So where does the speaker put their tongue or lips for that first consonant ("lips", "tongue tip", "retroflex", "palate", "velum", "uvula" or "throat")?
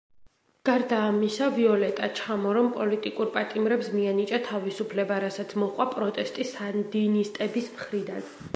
velum